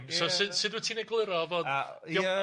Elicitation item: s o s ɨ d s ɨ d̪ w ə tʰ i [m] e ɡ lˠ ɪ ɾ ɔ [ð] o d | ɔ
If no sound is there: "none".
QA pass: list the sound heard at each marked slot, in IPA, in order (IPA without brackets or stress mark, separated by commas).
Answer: n, v